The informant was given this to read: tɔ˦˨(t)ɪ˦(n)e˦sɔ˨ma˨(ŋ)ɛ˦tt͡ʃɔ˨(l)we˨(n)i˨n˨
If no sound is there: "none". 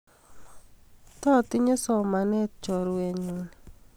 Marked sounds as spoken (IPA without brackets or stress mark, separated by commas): t, ɲ, n, ɾ, ɲ